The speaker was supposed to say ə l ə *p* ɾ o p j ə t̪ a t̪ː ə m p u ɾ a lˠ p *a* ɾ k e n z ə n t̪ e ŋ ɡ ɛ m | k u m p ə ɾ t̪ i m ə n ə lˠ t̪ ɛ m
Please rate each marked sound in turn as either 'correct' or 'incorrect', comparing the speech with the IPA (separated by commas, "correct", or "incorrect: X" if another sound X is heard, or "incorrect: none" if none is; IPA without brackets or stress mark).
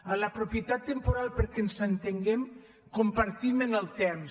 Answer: correct, incorrect: ə